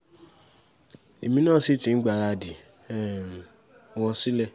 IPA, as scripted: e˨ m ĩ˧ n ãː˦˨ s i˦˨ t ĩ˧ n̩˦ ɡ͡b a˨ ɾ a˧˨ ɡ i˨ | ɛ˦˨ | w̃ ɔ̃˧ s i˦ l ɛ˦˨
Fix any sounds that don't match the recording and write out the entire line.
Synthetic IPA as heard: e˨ m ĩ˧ n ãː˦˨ s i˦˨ t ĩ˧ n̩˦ ɡ͡b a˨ ɾ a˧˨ d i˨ | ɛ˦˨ | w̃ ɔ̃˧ s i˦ l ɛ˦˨